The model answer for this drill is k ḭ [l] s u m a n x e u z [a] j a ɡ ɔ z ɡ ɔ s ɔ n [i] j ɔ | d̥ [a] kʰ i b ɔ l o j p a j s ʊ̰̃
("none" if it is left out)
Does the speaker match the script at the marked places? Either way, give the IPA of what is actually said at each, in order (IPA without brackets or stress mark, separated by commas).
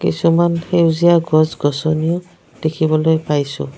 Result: none, i, i, e